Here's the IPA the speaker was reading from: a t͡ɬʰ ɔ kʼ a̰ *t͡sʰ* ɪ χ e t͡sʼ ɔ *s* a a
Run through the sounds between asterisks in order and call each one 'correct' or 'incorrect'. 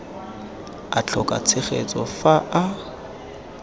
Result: correct, incorrect: f

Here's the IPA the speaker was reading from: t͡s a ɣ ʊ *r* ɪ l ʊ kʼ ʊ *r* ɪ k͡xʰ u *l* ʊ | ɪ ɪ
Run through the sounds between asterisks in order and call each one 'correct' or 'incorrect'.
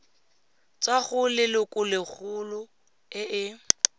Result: incorrect: l, incorrect: l, correct

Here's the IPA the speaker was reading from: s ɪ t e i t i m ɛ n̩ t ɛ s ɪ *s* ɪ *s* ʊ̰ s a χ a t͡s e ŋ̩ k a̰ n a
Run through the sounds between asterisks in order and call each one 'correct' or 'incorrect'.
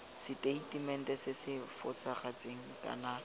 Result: correct, incorrect: f

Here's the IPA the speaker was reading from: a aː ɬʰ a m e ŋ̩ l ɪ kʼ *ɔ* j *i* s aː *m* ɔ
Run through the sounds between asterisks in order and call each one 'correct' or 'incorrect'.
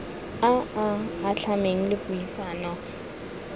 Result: incorrect: u, correct, incorrect: n

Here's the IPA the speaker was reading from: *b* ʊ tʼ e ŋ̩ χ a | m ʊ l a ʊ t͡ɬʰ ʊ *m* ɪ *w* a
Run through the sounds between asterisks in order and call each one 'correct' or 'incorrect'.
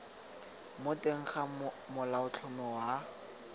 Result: incorrect: m, correct, correct

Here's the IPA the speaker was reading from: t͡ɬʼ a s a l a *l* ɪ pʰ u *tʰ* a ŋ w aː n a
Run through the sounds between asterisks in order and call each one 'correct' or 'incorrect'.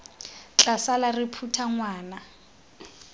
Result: incorrect: r, correct

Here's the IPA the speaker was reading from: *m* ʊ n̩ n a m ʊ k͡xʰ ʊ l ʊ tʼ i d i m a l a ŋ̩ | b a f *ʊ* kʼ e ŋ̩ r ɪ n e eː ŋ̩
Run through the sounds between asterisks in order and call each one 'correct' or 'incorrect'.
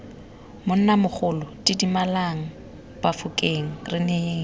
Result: correct, correct

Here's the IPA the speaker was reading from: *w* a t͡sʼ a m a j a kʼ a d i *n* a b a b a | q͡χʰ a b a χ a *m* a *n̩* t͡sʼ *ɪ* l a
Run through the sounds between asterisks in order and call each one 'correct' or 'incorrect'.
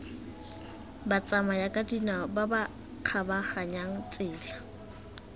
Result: incorrect: b, correct, incorrect: ɲ, incorrect: ŋ̩, incorrect: ɪː

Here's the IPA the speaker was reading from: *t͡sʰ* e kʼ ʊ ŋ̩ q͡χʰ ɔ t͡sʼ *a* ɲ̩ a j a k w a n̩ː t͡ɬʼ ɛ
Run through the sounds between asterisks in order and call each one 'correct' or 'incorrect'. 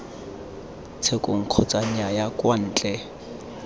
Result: correct, correct

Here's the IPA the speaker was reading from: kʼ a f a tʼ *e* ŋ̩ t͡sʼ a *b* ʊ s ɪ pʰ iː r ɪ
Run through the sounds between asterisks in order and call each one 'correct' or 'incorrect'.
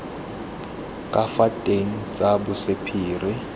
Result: correct, correct

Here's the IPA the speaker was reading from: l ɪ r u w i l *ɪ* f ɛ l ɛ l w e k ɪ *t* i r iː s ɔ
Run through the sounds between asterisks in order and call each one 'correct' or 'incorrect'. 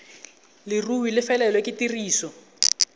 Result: correct, correct

